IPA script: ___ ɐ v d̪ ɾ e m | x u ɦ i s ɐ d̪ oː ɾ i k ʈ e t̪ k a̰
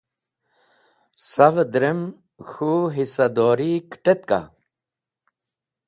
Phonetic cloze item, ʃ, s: s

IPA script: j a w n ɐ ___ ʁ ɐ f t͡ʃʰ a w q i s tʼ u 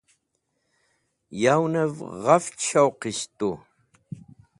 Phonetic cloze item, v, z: v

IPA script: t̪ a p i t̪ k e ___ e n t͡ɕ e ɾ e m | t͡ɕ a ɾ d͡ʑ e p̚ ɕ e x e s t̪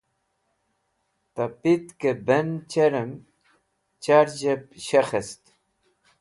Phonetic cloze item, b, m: b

